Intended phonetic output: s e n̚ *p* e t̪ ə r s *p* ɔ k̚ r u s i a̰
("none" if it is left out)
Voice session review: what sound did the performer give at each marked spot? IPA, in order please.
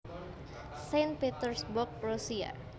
p, b

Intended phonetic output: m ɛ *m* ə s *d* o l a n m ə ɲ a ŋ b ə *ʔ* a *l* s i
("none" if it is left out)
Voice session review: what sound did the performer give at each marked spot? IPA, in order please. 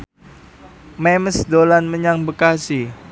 m, d, k, none

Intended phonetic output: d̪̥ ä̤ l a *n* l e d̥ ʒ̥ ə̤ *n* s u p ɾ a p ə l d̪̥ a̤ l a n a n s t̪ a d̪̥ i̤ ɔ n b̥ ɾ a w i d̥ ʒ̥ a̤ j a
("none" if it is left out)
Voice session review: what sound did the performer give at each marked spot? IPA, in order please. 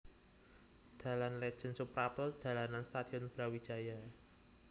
n, n

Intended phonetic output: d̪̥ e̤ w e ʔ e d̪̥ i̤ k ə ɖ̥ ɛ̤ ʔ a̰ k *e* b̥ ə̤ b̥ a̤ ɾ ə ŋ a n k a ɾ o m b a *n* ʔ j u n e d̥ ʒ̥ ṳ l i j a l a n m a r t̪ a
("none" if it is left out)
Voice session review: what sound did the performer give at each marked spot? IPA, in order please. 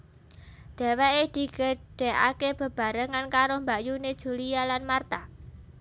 e, none

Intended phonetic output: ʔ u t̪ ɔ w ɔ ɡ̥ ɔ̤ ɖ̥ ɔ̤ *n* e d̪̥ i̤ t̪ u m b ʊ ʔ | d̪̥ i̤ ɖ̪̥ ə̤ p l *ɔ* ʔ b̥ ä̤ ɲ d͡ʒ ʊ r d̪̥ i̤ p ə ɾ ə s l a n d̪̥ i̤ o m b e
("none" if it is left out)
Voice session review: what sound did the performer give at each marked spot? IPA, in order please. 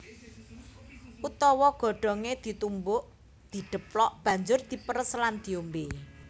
ŋ, ɔ

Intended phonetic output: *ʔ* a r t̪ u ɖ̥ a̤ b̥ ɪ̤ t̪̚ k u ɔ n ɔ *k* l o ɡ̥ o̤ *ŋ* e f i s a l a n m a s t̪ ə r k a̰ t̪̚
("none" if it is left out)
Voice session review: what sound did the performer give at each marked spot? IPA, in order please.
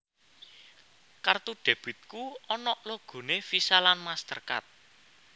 k, ʔ, n

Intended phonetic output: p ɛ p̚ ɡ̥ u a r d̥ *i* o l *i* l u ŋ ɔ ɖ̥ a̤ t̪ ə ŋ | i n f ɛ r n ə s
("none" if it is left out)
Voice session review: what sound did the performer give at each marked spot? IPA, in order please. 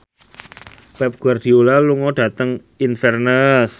i, a

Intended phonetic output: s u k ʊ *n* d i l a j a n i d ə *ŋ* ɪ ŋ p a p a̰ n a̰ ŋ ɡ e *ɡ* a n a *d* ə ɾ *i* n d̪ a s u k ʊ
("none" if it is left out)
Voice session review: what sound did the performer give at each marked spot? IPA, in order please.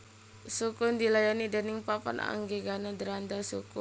n, n, ɡ, d, a

